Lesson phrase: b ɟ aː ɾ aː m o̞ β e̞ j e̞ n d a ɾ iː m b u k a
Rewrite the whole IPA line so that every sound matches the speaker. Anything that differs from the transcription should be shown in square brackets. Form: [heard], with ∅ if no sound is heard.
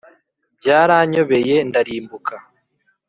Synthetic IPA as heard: b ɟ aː ɾ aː [ɲ] o̞ β e̞ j e̞ n d a ɾ iː m b u k a